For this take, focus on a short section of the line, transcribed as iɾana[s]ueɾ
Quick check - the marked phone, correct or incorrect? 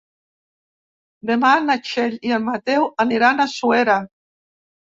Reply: correct